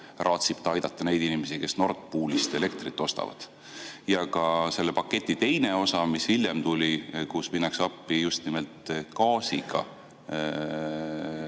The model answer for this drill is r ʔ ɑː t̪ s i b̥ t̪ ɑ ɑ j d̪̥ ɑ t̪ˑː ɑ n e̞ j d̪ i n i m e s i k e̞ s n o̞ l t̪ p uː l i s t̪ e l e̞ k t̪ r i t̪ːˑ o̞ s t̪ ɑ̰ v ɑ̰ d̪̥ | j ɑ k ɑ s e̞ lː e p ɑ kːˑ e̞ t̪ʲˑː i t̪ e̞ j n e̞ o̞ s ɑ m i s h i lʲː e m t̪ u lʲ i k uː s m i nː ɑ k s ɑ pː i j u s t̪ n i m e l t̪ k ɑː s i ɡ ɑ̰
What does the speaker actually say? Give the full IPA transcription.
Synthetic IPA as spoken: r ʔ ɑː t̪ s i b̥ t̪ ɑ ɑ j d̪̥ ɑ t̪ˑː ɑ n e̞ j d̪ i n i m e s i k e̞ s n o̞ r t̪ p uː l i s t̪ e l e̞ k t̪ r i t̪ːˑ o̞ s t̪ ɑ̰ v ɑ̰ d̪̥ | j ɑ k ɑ s e̞ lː e p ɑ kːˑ e̞ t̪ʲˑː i t̪ e̞ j n e̞ o̞ s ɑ m i s h i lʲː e m t̪ u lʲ i k u s m i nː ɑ k s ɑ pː i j u s t̪ n i m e l t̪ k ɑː s i ɡ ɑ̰